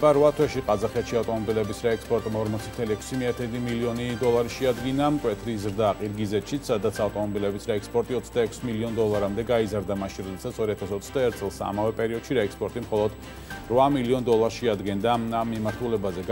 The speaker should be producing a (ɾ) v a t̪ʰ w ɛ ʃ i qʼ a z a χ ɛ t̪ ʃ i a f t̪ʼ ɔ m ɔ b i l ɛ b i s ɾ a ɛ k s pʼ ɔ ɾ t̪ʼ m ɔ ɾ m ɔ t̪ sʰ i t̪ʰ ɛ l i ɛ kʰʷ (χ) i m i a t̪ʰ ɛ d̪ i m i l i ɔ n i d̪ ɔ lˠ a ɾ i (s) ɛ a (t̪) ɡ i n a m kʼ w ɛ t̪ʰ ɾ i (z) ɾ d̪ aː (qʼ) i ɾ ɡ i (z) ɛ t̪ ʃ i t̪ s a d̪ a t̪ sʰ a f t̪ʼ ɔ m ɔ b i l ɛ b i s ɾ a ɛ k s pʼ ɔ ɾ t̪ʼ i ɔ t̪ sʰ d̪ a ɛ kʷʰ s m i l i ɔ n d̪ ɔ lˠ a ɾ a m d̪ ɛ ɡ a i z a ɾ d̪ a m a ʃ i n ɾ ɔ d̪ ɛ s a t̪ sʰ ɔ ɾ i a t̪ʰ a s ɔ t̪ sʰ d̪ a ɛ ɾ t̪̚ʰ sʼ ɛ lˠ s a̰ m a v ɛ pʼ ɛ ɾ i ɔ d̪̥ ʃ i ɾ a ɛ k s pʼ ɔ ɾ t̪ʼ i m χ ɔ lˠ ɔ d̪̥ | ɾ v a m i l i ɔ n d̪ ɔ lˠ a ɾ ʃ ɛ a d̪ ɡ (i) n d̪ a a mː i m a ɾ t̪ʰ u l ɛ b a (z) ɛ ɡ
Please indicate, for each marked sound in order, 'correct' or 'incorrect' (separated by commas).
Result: correct, incorrect, incorrect, incorrect, correct, correct, correct, incorrect, correct